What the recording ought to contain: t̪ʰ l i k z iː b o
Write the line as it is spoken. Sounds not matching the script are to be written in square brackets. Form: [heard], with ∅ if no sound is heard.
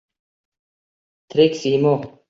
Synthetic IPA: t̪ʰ [ɾ] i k [s] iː [m] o